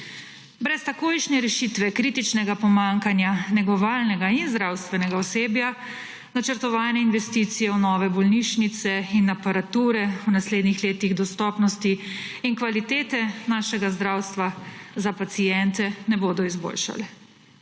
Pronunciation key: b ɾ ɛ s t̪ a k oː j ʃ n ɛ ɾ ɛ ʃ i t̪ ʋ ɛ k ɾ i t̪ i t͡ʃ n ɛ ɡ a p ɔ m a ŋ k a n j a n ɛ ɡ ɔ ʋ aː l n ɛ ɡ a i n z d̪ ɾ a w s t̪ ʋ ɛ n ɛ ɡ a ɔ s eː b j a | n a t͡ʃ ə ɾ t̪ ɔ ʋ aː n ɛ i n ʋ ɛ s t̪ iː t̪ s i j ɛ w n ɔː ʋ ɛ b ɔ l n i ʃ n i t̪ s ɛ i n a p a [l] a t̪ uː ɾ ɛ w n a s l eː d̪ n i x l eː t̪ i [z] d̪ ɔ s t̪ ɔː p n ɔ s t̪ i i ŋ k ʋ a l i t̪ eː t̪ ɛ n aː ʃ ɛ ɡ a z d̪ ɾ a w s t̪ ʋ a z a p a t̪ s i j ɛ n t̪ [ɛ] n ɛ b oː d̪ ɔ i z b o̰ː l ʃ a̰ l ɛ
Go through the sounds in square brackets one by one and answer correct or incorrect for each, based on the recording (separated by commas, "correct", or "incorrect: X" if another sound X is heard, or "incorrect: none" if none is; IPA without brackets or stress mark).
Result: incorrect: ɾ, incorrect: ɣ, correct